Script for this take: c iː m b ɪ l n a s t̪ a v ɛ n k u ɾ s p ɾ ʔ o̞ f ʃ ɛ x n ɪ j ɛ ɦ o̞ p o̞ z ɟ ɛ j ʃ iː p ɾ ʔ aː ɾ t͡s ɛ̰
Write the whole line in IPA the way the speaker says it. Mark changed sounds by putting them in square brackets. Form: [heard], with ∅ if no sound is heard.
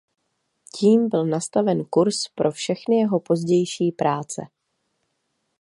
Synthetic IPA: c iː m b ɪ l n a s t̪ a v ɛ n k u ɾ s p ɾ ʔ o̞ f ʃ ɛ x n ɪ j ɛ ɦ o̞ p o̞ z ɟ ɛ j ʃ iː p ɾ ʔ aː [∅] t͡s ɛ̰